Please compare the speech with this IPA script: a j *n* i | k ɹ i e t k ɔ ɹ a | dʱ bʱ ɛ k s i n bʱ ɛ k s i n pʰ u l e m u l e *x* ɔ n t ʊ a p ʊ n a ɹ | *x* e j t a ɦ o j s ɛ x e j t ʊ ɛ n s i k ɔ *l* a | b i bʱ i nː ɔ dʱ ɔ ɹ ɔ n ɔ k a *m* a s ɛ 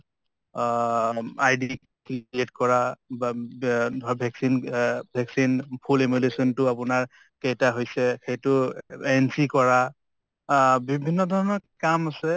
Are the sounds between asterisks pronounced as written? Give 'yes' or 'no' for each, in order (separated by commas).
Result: no, no, no, no, yes